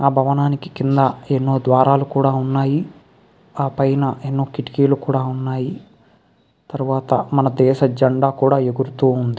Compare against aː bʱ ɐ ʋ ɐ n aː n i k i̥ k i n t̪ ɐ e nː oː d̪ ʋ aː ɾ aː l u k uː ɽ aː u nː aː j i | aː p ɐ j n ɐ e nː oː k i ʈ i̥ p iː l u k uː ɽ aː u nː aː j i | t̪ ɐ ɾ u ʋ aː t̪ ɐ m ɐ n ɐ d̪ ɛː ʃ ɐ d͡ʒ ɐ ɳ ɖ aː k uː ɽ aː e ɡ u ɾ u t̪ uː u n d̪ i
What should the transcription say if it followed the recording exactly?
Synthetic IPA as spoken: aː bʱ ɐ ʋ ɐ n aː n i k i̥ k i n d̪ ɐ e nː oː d̪ ʋ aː ɾ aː l u k uː ɽ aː u nː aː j i | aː p ɐ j n ɐ e nː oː k i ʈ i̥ k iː l u k uː ɽ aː u nː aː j i | t̪ ɐ ɾ u ʋ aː t̪ ɐ m ɐ n ɐ d̪ ɛː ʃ ɐ d͡ʒ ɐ ɳ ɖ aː k uː ɽ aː e ɡ u ɾ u t̪ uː u n d̪ i